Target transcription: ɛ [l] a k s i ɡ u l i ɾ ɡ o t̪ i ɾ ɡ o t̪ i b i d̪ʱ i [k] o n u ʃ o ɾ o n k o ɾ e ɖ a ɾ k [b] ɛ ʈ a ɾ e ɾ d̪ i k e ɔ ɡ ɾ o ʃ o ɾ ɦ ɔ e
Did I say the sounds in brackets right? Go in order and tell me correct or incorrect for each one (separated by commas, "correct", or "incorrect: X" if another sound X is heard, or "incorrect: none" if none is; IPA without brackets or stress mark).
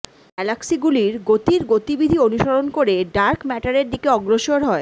correct, incorrect: none, incorrect: m